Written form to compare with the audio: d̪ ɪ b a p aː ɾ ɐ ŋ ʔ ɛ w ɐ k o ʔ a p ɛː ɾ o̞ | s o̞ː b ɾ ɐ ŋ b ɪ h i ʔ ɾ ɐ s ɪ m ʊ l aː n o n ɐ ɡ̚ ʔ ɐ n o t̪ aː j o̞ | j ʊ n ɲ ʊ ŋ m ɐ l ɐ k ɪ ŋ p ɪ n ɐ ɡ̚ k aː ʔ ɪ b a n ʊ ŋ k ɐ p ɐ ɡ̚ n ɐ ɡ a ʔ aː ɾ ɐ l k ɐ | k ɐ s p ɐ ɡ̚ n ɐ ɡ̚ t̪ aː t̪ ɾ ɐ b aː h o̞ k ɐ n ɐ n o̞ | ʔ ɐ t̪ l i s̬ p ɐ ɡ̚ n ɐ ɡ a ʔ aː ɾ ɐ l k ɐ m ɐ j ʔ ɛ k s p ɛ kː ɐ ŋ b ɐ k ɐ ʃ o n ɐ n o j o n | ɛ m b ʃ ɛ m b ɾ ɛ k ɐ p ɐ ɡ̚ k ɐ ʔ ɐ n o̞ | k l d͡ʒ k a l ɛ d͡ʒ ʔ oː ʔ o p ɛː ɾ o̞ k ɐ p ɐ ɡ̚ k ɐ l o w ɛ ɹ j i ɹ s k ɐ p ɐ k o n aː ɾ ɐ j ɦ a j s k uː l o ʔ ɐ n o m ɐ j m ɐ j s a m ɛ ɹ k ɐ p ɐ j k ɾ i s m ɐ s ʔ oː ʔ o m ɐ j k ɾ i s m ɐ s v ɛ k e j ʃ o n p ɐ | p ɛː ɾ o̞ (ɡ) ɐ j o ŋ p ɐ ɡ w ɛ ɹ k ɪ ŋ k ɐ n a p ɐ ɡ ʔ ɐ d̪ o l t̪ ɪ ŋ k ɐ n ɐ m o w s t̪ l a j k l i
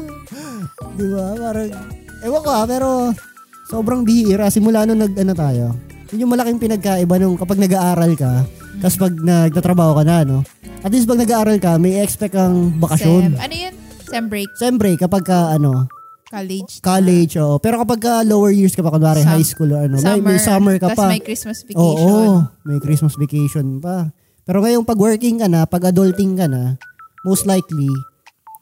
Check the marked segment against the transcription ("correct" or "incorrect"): incorrect